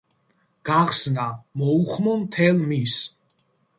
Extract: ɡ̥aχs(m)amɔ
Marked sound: incorrect: n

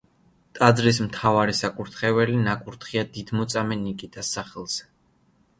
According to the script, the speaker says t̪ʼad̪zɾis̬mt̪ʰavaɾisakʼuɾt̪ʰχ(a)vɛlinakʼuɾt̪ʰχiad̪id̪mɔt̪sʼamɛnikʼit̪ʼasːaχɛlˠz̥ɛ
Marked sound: incorrect: ɛ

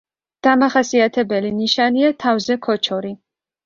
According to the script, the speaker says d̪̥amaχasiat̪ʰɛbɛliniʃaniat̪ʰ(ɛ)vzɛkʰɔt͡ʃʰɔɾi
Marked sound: incorrect: a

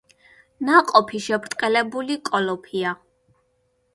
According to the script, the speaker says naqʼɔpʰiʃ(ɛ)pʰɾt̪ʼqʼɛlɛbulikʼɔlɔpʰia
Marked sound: correct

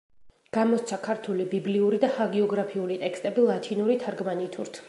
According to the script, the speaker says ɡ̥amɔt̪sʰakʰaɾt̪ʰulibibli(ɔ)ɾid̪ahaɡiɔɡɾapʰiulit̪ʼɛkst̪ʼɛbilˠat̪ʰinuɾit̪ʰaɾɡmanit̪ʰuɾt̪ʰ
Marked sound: incorrect: u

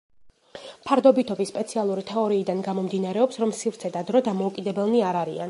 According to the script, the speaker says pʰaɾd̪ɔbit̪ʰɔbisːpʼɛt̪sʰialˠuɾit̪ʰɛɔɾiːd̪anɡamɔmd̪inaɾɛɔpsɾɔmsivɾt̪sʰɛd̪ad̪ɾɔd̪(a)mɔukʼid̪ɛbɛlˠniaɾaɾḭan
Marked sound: correct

